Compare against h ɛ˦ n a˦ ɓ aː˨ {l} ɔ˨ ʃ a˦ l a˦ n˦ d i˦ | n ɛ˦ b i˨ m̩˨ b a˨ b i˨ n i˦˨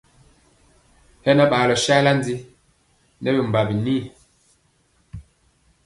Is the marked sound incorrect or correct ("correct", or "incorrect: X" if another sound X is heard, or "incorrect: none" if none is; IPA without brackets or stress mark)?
correct